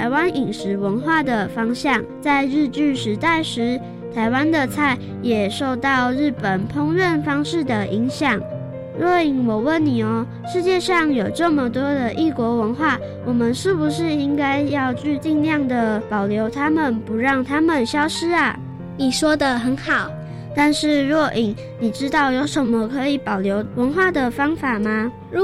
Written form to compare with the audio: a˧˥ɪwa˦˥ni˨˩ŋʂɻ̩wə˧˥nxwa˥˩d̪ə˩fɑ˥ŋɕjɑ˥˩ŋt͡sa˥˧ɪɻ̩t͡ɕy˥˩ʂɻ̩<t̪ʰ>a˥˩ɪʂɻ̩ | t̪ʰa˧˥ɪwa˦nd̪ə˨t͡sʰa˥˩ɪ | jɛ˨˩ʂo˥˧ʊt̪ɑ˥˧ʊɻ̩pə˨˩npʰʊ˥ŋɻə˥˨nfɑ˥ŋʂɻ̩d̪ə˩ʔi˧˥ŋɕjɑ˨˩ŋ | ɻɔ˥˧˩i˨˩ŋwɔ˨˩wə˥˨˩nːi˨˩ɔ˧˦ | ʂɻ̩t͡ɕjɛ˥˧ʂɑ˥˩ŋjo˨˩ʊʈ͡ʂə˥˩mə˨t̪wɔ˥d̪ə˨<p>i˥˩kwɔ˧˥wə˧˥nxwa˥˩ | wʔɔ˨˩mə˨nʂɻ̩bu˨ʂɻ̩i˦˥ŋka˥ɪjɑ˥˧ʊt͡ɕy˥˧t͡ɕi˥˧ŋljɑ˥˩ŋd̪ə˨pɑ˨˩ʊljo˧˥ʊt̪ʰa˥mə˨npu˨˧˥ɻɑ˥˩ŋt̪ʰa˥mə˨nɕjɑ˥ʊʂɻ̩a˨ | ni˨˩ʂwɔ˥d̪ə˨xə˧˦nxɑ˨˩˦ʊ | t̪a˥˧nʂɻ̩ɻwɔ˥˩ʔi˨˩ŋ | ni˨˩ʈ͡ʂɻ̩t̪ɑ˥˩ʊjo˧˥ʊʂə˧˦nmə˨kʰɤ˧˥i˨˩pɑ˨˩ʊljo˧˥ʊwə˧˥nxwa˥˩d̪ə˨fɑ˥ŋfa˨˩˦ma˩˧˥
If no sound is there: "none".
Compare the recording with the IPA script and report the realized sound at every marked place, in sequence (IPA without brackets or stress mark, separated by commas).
t̪, ʔ